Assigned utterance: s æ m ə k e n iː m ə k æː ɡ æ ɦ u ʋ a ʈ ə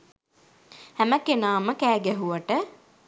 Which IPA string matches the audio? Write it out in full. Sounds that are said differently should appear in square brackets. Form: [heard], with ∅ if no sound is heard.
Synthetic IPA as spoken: [h] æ m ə k e n [aː] m ə k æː ɡ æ ɦ u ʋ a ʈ ə